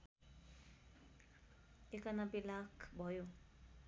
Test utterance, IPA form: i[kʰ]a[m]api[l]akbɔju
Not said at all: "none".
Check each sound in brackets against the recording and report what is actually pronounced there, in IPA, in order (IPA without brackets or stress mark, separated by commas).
k, n, l